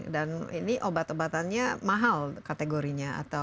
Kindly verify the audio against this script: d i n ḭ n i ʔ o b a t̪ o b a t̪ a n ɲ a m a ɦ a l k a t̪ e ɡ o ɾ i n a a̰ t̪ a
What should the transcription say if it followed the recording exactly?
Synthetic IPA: d a n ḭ n i ʔ o b a t̪ o b a t̪ a n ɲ a m a ɦ a l k a t̪ e ɡ o ɾ i ɲ a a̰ t̪ a